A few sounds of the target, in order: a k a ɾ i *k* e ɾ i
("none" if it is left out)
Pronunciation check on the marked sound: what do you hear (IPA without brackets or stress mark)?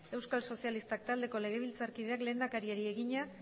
none